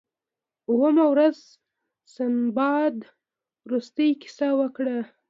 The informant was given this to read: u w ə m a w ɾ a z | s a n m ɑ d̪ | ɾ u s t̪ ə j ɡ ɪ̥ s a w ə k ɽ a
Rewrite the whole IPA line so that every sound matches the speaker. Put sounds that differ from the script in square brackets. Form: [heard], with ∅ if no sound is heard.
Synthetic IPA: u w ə m a w ɾ a z | s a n [b] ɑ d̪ | ɾ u s t̪ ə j [k] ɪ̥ s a w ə k ɽ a